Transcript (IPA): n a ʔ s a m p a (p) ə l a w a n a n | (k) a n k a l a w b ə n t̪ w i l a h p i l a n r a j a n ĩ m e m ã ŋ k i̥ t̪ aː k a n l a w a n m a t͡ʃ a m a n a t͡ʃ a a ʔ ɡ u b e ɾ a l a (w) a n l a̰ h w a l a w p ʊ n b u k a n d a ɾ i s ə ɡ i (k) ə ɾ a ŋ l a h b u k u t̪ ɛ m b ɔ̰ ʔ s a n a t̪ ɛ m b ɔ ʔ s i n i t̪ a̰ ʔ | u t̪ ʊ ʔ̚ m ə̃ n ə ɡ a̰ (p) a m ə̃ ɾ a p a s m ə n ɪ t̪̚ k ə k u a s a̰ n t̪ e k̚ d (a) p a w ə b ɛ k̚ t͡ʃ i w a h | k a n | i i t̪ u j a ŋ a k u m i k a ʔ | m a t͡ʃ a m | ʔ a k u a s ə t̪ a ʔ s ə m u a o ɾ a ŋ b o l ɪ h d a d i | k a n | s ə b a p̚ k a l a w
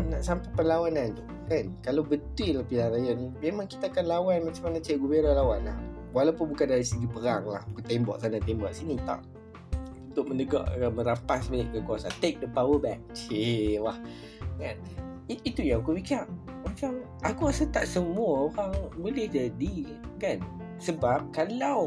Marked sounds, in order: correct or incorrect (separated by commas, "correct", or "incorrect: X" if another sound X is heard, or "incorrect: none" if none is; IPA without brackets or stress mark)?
correct, correct, correct, incorrect: p, incorrect: ʔ, incorrect: ə